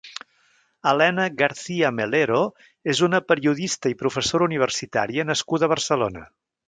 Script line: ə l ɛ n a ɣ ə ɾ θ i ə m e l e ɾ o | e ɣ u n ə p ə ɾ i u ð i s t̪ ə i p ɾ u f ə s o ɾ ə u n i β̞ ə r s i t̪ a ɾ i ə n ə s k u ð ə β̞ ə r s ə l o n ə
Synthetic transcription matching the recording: ə l ɛ n ə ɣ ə ɾ θ i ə m e l e ɾ o | e z u n ə p ə ɾ i u ð i s t̪ ə i p ɾ u f ə s o ɾ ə u n i β̞ ə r s i t̪ a ɾ i ə n ə s k u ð ə β̞ ə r s ə l o n ə